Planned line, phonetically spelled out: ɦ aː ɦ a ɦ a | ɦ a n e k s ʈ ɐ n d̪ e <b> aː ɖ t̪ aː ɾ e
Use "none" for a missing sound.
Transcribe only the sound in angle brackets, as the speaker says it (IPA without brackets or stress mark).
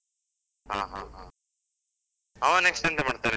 m